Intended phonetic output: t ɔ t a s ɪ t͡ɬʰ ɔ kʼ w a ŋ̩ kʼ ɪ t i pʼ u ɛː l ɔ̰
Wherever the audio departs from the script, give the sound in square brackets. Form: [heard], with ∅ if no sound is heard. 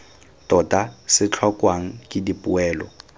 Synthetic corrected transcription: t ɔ t a s ɪ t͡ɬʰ ɔ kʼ w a ŋ̩ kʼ ɪ [d] i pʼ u ɛː l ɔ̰